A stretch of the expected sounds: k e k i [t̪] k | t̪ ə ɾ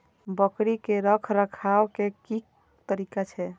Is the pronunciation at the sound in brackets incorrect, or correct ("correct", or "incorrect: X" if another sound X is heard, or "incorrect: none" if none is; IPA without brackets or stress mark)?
incorrect: none